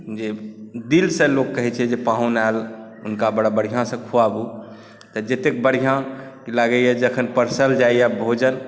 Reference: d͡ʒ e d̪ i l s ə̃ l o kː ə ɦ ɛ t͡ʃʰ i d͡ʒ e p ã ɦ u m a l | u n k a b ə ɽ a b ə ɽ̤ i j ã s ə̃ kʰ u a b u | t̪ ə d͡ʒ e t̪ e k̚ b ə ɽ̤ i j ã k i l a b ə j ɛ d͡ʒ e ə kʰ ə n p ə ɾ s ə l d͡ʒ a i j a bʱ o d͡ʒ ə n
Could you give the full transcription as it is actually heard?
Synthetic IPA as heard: d͡ʒ e d̪ i l s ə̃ l o kː ə ɦ ɛ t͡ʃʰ ɛ d͡ʒ e p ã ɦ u n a l | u n k a b ə ɽ a b ə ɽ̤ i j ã s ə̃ kʰ u a b u | t̪ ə d͡ʒ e t̪ e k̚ b ə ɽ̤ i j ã k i l a ɡ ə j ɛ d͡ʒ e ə kʰ ə n p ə ɾ s ə l d͡ʒ a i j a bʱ o d͡ʒ ə n